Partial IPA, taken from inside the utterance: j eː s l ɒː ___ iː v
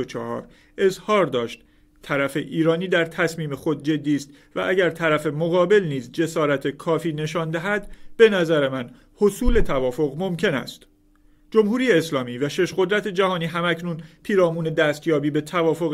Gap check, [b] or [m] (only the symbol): m